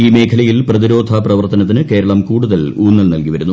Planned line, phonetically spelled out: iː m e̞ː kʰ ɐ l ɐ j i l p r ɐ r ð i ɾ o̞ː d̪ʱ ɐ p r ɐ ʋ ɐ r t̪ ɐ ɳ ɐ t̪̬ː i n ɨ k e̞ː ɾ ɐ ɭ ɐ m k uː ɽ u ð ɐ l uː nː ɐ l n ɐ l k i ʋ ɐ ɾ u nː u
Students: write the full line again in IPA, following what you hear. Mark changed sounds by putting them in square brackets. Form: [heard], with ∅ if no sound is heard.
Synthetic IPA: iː m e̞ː kʰ ɐ l ɐ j i l p r ɐ [∅] ð i ɾ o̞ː d̪ʱ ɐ p r ɐ ʋ ɐ r t̪ ɐ [n] ɐ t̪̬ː i n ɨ k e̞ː ɾ ɐ ɭ ɐ m k uː ɽ u ð ɐ l uː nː ɐ l n ɐ l k i ʋ ɐ ɾ u nː u